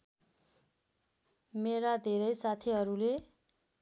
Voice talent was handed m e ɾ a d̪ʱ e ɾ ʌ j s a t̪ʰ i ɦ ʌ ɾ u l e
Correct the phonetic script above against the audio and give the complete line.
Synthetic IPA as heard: m e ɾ a d̪ʱ e ɾ ʌ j s a t̪ʰ i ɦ ʌ ɾ u l e